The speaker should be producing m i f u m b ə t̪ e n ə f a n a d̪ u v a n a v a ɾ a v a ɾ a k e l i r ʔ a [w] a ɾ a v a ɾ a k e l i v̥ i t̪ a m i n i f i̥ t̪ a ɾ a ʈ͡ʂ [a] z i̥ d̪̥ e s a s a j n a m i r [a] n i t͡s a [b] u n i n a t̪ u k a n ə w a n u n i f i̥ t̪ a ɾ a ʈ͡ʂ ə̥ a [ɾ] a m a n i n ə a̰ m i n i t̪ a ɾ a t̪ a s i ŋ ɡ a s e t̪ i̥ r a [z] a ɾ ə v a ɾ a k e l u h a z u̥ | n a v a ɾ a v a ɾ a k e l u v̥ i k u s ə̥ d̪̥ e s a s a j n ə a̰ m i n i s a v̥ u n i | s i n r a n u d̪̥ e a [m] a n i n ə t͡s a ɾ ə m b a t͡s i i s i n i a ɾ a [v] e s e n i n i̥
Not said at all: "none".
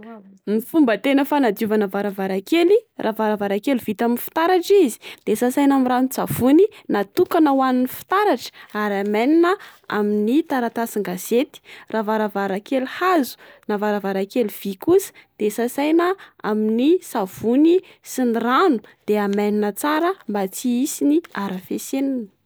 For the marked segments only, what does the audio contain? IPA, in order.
v, i, a, v, ɾ, v, m, f

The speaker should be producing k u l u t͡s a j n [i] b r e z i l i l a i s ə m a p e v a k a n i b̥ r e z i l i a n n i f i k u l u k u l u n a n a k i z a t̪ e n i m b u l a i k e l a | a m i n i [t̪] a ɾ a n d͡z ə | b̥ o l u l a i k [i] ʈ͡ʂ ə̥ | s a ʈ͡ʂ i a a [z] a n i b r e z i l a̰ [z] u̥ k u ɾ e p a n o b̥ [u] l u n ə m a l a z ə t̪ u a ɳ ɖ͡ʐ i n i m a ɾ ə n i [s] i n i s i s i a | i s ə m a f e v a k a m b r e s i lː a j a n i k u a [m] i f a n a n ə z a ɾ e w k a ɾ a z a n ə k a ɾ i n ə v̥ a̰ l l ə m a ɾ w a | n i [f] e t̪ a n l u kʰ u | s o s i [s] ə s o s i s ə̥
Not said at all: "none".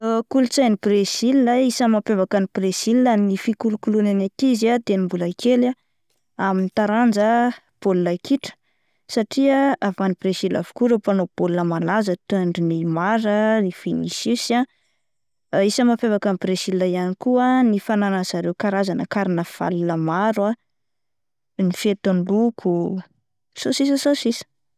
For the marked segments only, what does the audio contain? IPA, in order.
i, t̪, i, v, v, o, f, n, f, s

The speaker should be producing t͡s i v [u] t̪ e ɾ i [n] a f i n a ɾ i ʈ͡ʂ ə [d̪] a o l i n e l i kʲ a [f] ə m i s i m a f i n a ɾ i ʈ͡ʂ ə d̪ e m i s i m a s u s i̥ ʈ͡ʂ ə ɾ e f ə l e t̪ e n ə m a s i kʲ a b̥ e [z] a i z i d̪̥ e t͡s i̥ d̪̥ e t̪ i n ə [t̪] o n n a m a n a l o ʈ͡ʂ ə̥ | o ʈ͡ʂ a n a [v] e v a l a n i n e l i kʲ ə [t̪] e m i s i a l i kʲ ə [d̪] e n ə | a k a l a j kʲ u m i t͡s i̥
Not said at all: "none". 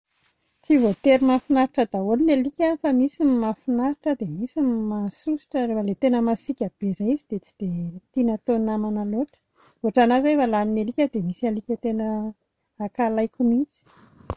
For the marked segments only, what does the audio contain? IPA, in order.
o, m, d̪, f, z, t̪, z, d̪, t̪

